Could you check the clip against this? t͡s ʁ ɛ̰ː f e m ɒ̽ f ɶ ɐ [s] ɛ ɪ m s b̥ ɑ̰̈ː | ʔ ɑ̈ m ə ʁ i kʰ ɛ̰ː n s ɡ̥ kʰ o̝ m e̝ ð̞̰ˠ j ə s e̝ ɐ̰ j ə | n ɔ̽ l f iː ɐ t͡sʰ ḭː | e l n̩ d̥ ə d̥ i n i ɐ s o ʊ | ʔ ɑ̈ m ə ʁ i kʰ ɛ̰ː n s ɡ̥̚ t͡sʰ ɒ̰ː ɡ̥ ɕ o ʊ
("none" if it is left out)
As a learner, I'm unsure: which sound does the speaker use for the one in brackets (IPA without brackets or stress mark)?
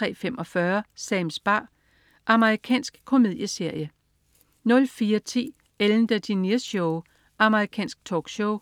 s